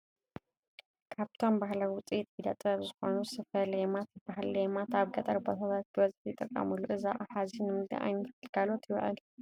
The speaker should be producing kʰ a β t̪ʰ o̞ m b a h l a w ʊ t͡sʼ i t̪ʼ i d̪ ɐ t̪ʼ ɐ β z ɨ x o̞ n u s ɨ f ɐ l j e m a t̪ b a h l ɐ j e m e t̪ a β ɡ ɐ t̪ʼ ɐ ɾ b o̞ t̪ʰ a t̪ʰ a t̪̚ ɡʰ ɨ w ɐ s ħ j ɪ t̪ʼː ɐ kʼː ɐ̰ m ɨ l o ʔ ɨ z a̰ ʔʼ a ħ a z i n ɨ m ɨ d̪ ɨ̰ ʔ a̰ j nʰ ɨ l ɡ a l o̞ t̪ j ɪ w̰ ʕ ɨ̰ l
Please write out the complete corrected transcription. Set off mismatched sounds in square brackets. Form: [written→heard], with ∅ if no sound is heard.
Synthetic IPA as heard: kʰ a β t̪ʰ o̞ m b a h l a w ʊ t͡sʼ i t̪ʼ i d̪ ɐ t̪ʼ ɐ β z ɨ x o̞ n u s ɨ f ɐ l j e m a t̪ b a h l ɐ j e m [e→a] t̪ a β ɡ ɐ t̪ʼ ɐ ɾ b o̞ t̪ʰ a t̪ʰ a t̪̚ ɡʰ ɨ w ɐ [s→z] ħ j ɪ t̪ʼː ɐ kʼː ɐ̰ m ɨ l [o→u] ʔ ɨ z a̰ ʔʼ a ħ a z i n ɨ m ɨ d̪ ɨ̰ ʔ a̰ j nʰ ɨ l ɡ a l o̞ t̪ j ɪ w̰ ʕ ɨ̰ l